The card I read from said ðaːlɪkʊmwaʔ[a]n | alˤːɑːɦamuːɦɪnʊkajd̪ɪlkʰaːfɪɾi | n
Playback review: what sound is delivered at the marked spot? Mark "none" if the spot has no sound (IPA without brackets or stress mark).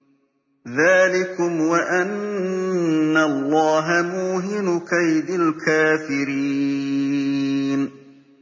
a